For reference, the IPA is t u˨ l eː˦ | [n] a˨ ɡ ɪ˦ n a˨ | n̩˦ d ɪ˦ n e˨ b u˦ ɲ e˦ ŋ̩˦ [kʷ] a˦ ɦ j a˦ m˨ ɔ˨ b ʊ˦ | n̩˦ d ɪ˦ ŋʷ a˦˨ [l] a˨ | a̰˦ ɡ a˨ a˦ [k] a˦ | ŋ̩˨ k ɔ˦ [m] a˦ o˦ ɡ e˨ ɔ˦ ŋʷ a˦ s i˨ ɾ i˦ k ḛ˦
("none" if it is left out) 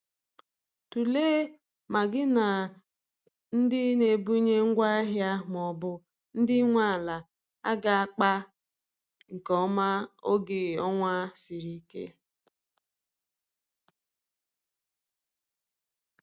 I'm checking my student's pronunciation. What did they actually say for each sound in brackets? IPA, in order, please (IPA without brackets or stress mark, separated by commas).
m, ɡʷ, l, k͡p, m